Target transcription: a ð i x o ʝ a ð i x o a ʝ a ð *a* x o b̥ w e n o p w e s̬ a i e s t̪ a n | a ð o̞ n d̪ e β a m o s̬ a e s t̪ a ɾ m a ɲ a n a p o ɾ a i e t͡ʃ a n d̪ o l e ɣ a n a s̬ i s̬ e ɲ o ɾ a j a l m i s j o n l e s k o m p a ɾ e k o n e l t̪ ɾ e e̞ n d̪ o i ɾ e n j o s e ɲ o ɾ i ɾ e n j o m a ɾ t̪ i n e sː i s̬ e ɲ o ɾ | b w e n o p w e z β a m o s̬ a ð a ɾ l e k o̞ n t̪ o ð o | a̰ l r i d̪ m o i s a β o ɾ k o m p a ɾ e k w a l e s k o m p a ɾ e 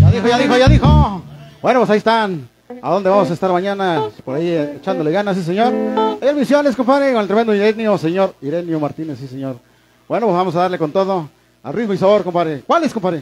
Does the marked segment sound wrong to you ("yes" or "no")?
yes